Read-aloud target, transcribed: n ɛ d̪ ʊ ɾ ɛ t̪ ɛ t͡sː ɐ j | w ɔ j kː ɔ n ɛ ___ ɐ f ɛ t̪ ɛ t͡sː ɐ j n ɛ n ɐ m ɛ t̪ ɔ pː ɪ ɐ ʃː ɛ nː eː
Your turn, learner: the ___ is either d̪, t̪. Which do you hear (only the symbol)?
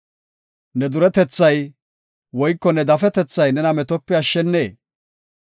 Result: d̪